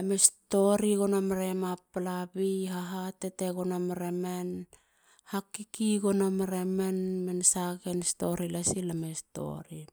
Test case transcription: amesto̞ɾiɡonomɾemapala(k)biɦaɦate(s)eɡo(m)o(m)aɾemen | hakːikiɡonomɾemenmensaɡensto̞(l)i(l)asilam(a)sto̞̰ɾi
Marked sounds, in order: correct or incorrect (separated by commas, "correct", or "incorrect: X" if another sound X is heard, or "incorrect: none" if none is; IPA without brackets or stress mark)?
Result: incorrect: none, incorrect: t, incorrect: n, correct, incorrect: ɾ, correct, incorrect: e